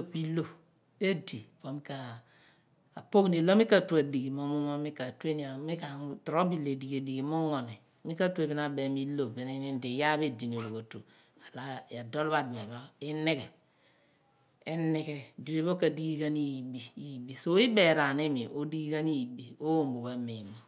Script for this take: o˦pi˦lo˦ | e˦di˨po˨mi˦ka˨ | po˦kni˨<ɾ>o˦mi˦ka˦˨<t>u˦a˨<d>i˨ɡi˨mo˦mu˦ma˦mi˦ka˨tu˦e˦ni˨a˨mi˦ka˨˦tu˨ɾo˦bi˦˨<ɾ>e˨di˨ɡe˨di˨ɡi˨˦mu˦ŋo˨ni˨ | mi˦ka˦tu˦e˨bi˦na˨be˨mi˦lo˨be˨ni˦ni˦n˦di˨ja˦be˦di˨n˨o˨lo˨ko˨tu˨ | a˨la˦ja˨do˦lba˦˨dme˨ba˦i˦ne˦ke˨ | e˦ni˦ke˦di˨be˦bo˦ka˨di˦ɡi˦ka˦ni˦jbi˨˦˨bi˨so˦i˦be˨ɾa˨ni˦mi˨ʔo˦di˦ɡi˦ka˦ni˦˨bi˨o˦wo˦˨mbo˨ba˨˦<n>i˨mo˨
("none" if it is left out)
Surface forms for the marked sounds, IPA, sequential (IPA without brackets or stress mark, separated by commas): l, t, d, l, m